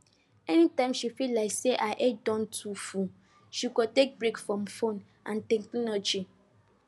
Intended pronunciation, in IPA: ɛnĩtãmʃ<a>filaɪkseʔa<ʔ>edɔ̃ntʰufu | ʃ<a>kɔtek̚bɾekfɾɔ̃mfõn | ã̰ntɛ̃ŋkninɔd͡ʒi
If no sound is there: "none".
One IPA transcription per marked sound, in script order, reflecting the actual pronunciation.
i, ʔ, i

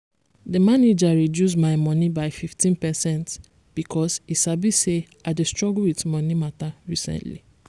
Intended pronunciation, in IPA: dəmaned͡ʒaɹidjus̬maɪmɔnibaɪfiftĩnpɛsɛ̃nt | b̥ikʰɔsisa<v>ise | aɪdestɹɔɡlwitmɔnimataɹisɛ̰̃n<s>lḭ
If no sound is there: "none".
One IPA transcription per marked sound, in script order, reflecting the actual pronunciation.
b, t

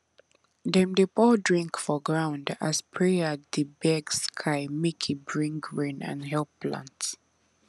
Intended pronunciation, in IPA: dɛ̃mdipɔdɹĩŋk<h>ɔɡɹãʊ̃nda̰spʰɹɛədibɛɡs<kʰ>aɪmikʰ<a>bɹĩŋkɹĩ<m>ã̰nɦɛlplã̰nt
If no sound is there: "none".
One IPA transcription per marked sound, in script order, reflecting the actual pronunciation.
f, kʰ, i, n

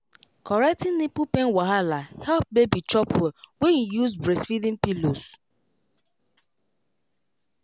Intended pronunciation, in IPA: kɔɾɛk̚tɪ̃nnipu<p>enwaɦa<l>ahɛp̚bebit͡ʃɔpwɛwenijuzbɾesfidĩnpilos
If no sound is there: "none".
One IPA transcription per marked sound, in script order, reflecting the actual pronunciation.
p, l

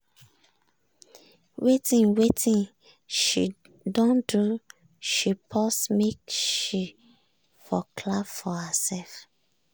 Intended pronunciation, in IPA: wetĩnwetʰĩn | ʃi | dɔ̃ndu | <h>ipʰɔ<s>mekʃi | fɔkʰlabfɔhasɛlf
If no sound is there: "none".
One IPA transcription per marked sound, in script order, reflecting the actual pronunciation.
ʃ, s

